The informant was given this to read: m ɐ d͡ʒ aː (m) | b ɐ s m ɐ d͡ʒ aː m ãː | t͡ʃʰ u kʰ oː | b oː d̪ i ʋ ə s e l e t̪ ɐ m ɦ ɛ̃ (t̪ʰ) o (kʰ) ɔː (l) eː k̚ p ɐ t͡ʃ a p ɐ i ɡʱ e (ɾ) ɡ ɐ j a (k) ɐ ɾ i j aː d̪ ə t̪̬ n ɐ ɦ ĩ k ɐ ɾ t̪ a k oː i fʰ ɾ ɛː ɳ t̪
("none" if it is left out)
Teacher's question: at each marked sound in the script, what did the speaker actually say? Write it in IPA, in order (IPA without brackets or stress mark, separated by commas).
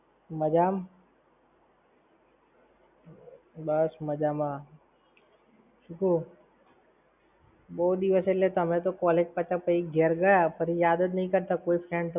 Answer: m, t̪, k, l, ɾ, p